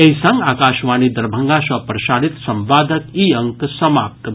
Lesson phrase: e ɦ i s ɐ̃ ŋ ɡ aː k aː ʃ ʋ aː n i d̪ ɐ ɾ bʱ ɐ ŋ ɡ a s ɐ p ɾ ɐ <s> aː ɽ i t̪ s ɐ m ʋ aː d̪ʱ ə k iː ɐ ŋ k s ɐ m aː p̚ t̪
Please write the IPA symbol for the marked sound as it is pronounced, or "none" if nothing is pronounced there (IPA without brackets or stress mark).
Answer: ʃ